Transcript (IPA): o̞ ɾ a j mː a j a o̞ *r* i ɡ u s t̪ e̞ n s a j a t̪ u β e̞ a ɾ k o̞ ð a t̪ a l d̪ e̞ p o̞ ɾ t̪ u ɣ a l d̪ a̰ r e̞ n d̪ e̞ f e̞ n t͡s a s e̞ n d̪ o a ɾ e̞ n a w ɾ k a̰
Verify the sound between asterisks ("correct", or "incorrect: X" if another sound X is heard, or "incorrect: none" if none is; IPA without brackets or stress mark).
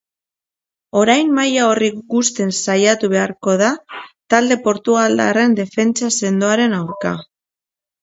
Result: correct